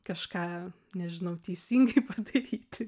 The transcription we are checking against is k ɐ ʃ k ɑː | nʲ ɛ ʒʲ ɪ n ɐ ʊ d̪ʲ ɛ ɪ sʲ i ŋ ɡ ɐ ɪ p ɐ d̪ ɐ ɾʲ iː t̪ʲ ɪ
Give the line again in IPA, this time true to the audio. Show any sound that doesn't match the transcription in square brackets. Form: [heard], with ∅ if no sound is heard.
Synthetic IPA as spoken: k ɐ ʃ k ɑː | nʲ ɛ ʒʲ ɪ n ɐ ʊ [t̪ʲ] ɛ ɪ sʲ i ŋ ɡ ɐ ɪ p ɐ d̪ ɐ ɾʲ iː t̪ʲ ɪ